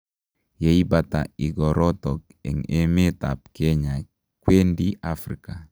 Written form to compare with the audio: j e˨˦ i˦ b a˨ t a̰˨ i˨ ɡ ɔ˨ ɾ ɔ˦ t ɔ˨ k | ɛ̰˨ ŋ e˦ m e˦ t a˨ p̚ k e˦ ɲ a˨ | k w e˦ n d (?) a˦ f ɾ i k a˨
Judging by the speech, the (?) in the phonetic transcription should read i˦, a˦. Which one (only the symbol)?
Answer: i˦